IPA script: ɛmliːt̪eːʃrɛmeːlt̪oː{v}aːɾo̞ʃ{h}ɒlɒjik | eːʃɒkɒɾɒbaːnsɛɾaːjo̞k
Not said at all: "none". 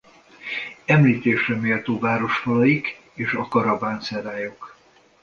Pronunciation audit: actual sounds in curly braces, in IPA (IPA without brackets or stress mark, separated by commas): v, f